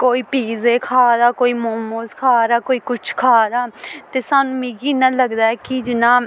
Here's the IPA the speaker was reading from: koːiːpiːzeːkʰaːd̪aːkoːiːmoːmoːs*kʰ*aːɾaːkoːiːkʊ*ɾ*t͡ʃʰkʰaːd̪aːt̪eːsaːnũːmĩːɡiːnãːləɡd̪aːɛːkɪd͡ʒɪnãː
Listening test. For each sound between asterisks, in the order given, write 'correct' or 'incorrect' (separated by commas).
correct, incorrect